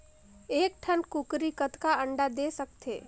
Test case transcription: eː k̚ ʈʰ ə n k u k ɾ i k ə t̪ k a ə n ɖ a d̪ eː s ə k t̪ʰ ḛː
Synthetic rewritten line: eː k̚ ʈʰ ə n k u k ɾ i k ə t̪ k a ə ɳ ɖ a d̪ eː s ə k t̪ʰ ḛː